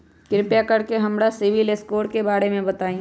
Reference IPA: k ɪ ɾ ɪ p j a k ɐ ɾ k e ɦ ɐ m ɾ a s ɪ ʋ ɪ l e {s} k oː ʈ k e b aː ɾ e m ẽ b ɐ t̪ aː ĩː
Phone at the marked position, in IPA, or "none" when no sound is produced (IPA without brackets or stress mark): s